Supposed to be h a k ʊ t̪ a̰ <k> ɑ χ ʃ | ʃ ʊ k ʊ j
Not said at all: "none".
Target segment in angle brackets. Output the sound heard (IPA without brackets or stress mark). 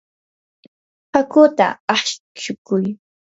none